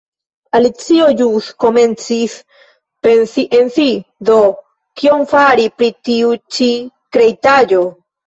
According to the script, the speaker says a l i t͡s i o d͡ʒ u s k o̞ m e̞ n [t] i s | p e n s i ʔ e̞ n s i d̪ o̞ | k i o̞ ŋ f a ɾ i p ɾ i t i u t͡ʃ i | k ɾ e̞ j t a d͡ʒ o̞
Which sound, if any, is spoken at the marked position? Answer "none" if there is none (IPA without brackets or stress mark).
t͡s